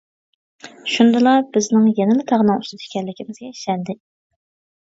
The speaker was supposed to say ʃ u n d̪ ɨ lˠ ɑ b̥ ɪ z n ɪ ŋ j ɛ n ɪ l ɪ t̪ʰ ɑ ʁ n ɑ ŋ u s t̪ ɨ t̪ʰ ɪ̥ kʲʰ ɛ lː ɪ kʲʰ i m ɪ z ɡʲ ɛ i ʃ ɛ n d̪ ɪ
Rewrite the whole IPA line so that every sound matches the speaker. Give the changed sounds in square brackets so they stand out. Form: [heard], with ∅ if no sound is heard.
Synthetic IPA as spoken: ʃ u n d̪ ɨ lˠ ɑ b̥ ɪ z n ɪ ŋ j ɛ n ɪ l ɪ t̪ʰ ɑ ʁ n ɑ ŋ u s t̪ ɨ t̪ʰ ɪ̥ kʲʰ ɛ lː ɪ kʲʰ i m ɪ z ɡʲ ɛ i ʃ ɛ n d̪ ɪ

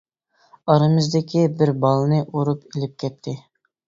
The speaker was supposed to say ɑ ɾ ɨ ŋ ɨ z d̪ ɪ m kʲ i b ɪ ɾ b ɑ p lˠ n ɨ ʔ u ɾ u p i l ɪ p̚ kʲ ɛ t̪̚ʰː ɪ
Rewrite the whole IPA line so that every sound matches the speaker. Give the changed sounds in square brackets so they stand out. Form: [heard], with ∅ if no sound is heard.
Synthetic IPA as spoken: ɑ ɾ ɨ [m] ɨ z d̪ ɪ [∅] kʲ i b ɪ ɾ b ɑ [∅] lˠ n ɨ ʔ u ɾ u p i l ɪ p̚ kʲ ɛ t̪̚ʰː ɪ

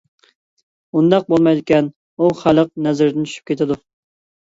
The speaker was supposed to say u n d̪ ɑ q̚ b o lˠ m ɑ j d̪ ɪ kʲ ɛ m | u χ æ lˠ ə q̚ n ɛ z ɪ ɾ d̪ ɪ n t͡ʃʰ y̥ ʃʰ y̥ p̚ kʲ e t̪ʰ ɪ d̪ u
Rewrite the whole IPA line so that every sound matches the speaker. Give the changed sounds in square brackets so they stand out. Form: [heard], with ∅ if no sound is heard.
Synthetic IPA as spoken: u n d̪ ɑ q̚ b o lˠ m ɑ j d̪ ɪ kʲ ɛ [n] | u χ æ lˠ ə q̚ n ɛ z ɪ ɾ d̪ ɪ n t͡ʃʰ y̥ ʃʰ y̥ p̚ kʲ e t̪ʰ ɪ d̪ u

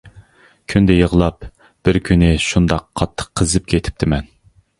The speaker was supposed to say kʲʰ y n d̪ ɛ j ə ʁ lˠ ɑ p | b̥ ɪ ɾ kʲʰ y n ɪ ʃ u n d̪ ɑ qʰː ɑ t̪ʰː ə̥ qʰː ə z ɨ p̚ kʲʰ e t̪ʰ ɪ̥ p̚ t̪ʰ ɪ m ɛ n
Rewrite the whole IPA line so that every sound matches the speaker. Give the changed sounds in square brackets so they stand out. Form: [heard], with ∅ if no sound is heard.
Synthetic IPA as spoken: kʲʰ y n d̪ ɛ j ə ʁ lˠ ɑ p | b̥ ɪ ɾ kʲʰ y n ɪ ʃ u n d̪ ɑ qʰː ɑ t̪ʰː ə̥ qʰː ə z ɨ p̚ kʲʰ e t̪ʰ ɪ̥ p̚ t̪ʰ ɪ m ɛ n

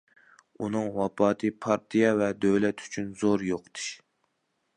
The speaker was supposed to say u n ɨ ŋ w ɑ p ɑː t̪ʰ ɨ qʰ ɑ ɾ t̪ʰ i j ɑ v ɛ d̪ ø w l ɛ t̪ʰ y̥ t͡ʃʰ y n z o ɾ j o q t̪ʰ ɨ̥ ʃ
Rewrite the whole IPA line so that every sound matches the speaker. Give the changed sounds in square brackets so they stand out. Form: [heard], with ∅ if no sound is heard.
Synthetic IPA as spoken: u n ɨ ŋ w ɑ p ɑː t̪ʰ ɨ [pʰ] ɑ ɾ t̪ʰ i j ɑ v ɛ d̪ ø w l ɛ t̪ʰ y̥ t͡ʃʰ y n z o ɾ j o q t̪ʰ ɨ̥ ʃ

